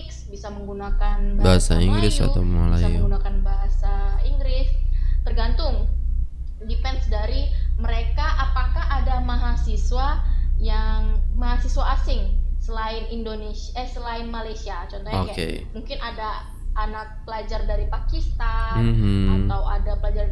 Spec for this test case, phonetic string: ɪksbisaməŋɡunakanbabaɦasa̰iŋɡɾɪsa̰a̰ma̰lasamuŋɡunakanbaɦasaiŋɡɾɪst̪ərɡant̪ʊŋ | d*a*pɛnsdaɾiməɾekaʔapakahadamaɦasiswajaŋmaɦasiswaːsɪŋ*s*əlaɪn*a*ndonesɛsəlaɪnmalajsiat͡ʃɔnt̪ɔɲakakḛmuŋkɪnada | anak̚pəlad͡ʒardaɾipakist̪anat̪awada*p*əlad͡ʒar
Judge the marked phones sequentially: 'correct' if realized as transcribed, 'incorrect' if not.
incorrect, correct, incorrect, correct

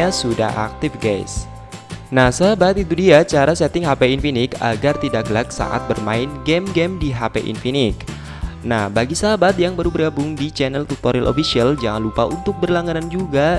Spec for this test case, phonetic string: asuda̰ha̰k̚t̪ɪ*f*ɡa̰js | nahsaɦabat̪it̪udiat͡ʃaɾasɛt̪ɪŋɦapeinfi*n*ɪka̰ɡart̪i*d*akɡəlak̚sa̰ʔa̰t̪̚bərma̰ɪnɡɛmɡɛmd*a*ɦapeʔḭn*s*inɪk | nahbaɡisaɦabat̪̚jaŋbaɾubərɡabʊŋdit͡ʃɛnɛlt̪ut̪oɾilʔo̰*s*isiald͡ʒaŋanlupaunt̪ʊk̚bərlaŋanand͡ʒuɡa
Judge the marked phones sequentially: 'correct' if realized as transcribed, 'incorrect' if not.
correct, correct, correct, incorrect, incorrect, incorrect

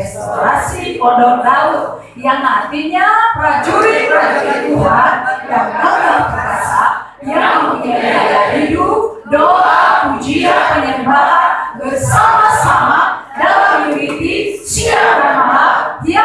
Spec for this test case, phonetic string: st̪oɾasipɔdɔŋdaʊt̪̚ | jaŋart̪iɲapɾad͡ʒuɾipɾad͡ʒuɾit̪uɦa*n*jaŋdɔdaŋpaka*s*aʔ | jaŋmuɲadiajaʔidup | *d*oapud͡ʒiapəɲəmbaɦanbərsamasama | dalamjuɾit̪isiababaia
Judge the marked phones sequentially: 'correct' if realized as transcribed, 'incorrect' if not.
correct, correct, correct

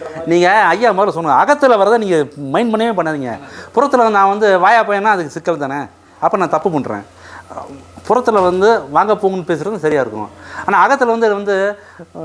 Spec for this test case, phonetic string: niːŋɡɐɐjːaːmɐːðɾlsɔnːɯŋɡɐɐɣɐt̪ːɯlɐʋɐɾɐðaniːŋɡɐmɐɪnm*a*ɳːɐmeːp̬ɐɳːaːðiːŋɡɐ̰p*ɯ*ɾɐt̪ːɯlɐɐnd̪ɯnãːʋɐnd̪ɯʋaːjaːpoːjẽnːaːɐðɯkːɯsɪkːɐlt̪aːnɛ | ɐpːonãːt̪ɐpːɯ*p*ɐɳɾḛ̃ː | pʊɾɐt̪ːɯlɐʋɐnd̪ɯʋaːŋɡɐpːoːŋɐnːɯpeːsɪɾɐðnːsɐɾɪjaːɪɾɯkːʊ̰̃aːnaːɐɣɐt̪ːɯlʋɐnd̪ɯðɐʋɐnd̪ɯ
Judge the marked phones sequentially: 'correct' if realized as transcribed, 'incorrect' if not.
incorrect, incorrect, correct

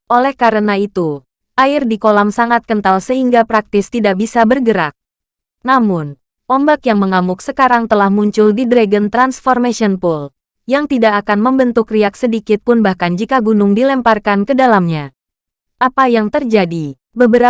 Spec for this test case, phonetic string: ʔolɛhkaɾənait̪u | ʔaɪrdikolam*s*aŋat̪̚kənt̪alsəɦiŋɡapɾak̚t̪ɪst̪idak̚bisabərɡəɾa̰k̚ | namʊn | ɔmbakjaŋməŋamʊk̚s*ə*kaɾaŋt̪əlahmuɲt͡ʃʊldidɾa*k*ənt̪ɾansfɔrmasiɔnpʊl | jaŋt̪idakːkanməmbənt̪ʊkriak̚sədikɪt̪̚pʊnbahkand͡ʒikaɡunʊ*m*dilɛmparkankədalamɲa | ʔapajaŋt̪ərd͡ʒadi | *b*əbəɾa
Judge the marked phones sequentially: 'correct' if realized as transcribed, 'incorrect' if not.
correct, correct, incorrect, incorrect, correct

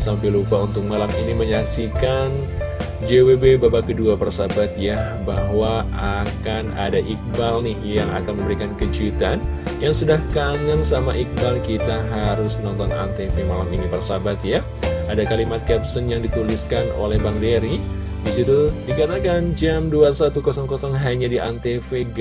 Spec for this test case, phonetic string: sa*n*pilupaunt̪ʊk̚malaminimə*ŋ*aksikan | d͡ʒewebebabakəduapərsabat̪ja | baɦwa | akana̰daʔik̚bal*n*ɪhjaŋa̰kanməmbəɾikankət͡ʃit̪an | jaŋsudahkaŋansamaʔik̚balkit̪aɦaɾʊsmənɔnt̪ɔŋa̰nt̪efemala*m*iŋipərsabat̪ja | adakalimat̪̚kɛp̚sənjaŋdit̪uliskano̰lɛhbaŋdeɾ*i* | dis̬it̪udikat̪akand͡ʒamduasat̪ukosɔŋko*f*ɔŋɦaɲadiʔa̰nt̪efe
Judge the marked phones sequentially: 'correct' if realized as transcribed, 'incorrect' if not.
incorrect, incorrect, correct, correct, correct, incorrect

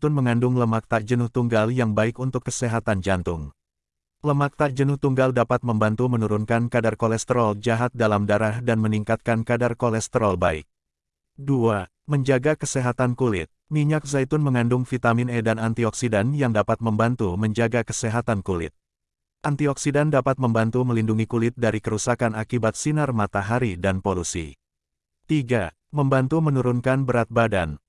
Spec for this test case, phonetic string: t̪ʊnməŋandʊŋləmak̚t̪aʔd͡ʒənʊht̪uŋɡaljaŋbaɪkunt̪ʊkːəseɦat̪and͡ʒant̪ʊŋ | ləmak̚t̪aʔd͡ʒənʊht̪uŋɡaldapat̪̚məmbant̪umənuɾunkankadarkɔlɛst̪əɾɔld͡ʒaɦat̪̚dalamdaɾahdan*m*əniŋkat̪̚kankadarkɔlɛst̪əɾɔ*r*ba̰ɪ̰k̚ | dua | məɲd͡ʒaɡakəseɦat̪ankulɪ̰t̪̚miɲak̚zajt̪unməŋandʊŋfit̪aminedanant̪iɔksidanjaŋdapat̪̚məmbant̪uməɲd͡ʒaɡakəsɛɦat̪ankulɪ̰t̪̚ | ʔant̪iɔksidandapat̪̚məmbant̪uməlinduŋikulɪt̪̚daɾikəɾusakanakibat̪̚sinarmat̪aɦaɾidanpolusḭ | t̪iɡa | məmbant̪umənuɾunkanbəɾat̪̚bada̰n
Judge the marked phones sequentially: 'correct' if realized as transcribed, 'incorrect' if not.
correct, incorrect

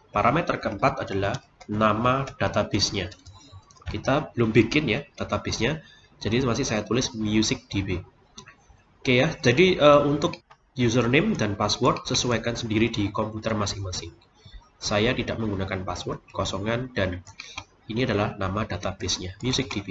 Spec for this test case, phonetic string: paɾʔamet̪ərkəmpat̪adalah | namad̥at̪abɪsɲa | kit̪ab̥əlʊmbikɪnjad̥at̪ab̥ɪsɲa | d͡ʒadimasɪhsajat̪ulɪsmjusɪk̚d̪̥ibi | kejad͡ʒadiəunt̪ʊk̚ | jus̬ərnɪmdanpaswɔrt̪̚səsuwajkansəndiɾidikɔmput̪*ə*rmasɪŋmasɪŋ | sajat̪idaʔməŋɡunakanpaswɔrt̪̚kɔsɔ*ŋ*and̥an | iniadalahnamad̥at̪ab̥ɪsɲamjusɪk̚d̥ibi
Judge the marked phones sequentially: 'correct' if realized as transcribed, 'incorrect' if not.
correct, correct

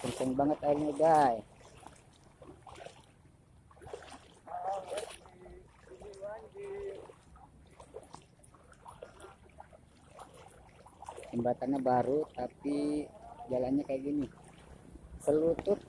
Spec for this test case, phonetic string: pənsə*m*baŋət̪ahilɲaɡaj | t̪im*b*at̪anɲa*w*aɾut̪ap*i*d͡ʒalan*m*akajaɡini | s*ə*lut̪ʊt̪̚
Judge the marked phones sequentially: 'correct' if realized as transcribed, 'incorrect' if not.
incorrect, correct, incorrect, correct, incorrect, correct

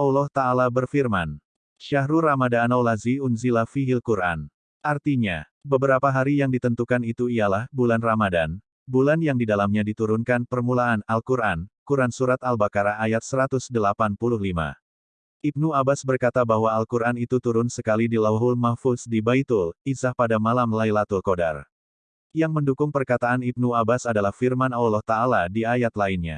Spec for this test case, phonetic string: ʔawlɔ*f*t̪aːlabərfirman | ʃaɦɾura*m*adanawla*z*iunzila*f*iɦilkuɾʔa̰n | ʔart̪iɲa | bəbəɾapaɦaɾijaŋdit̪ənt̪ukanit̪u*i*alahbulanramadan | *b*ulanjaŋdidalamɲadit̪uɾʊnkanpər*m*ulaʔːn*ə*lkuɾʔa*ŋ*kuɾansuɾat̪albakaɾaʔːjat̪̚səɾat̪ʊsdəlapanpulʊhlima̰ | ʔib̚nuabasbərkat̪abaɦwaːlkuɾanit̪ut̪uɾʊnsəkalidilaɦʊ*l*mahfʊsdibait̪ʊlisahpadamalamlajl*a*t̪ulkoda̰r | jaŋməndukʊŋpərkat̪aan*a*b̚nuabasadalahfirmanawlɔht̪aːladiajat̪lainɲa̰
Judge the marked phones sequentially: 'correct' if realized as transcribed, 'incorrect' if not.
incorrect, correct, correct, correct, correct, correct, correct, incorrect, incorrect, correct, correct, incorrect

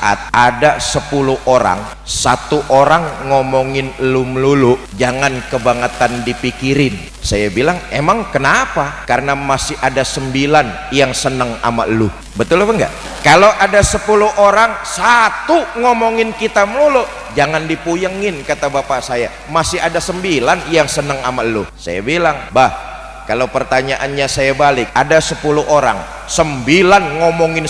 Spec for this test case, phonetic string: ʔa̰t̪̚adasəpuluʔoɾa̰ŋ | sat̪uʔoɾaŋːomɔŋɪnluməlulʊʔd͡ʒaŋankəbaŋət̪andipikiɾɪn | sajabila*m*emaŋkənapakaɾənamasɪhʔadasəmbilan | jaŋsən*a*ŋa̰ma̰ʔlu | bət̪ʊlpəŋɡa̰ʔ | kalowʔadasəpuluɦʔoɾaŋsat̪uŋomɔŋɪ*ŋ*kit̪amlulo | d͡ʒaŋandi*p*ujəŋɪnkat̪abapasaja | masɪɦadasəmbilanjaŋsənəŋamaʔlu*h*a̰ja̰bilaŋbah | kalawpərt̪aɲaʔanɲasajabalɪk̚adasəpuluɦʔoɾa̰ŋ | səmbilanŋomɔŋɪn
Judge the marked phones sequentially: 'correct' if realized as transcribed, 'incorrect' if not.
incorrect, incorrect, incorrect, correct, incorrect

